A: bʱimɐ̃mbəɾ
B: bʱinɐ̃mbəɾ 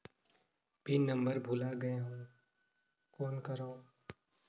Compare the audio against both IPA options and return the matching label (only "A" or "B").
B